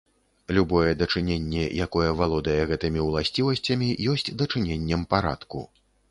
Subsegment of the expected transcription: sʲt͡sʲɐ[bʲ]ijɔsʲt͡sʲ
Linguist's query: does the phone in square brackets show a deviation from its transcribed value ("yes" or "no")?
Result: yes